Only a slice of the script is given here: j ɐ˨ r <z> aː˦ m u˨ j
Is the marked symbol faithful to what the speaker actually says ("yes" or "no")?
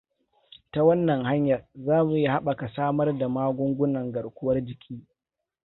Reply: yes